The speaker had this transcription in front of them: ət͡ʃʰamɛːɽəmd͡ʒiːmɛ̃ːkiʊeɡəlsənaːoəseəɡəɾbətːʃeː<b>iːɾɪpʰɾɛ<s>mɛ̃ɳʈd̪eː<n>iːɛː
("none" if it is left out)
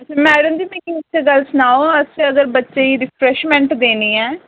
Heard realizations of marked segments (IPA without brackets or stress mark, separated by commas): none, ʃ, n